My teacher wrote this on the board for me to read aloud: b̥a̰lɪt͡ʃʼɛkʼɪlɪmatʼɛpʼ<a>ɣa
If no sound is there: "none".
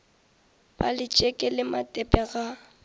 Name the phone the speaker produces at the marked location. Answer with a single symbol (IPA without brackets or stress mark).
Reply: ɛ